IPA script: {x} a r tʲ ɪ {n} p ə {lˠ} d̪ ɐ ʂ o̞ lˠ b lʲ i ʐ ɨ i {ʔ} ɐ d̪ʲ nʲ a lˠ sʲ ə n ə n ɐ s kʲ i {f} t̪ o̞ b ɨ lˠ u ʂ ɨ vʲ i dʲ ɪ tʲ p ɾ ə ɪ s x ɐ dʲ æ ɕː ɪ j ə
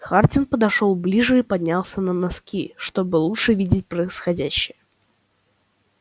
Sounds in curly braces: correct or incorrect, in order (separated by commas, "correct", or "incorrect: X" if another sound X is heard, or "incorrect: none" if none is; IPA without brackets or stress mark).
correct, correct, incorrect: none, incorrect: p, incorrect: ʂ